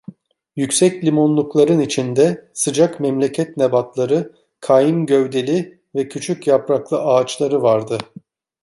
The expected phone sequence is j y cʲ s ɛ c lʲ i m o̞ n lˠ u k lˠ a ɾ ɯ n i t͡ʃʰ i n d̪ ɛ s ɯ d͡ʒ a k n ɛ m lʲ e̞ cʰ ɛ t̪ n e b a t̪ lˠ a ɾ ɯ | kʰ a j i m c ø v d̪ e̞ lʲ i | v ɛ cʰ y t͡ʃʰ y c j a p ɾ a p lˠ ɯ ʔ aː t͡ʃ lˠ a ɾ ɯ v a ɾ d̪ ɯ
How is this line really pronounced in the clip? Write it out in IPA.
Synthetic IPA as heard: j y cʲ s ɛ c lʲ i m o̞ n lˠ u k lˠ a ɾ ɯ n i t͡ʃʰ i n d̪ ɛ s ɯ d͡ʒ a k m ɛ m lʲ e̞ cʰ ɛ t̪ n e b a t̪ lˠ a ɾ ɯ | kʰ a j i m ɟ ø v d̪ e̞ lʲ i | v ɛ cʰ y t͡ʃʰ y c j a p ɾ a k lˠ ɯ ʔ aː t͡ʃ lˠ a ɾ ɯ v a ɾ d̪ ɯ